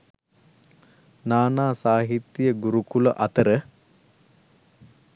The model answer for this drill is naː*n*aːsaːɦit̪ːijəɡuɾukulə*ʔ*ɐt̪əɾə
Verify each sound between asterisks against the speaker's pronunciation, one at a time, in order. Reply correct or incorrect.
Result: correct, correct

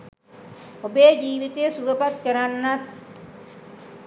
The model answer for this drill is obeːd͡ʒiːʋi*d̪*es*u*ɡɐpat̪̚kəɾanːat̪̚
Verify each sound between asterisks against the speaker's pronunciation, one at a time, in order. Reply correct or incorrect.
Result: incorrect: t̪, correct

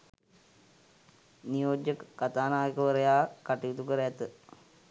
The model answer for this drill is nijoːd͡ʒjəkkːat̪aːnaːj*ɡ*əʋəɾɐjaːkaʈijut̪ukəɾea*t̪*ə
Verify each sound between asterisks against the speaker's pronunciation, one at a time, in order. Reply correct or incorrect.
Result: incorrect: k, correct

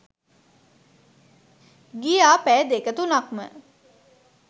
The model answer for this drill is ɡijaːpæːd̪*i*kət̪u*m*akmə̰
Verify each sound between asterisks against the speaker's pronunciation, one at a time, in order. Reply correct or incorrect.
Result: incorrect: e, incorrect: n

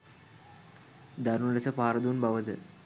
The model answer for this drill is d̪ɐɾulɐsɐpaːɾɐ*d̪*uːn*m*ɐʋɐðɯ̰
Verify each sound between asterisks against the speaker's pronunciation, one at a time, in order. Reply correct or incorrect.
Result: correct, incorrect: b

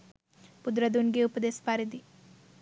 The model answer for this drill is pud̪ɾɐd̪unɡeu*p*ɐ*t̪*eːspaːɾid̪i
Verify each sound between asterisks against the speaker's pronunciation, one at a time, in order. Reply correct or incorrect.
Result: correct, incorrect: d̪

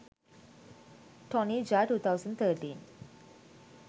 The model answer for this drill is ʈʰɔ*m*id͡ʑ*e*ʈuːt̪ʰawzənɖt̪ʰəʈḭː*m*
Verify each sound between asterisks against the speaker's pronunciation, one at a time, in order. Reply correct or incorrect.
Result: incorrect: n, incorrect: a, incorrect: n

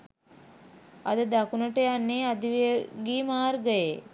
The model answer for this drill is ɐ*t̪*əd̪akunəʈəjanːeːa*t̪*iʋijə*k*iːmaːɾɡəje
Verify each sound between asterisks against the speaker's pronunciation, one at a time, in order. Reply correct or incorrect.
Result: incorrect: d̪, incorrect: d̪, incorrect: ɡ

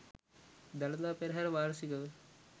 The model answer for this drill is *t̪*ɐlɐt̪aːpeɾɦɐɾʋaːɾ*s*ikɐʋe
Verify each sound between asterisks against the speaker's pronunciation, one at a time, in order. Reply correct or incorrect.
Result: incorrect: d̪, correct

